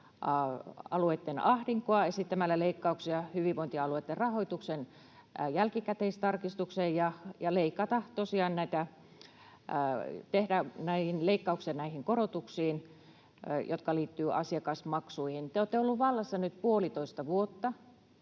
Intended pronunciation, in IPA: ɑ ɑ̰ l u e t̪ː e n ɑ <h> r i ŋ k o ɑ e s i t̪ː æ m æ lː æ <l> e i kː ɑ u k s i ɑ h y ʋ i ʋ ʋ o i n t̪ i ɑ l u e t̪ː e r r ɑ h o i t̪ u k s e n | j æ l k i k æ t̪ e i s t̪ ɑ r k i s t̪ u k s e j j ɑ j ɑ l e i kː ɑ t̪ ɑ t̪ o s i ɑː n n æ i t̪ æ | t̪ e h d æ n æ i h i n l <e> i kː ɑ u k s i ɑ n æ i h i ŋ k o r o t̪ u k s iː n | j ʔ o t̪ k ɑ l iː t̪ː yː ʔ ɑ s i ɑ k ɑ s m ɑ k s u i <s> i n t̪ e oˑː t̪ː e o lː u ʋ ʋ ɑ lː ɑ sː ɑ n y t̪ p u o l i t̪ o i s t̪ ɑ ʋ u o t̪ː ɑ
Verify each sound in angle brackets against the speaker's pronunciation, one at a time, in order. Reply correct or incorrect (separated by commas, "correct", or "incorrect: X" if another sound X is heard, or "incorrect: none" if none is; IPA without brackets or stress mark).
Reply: correct, correct, correct, incorrect: h